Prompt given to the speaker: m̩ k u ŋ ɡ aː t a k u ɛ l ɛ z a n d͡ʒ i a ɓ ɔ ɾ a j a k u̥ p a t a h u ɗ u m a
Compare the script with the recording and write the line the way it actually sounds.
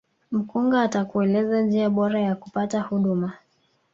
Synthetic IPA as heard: m̩ k u ŋ ɡ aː t a k u ɛ l ɛ z a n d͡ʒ i a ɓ ɔ ɾ a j a k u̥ p a t a h u ɗ u m a